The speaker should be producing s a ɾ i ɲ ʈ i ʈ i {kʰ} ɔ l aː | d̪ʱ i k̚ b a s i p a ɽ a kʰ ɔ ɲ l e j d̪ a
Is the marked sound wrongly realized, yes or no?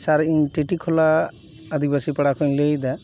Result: no